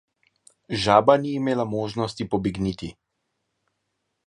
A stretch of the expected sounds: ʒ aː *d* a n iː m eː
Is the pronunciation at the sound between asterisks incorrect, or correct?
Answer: incorrect